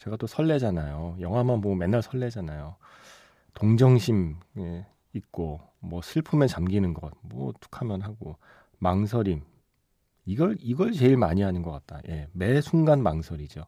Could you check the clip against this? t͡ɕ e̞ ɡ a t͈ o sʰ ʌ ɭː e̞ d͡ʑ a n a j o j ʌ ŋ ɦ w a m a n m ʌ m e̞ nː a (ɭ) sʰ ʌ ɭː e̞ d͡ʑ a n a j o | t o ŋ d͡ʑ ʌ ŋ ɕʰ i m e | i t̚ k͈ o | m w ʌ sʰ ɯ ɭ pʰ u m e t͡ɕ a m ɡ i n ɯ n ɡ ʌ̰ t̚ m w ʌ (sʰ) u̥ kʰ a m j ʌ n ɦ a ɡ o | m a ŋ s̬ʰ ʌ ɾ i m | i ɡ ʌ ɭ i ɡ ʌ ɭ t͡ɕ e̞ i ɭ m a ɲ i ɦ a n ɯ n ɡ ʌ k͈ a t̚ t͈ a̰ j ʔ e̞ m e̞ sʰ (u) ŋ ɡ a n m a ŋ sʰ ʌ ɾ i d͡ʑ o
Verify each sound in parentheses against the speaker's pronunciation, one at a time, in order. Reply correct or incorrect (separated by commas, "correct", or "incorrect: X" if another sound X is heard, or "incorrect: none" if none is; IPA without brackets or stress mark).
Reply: correct, incorrect: tʰ, correct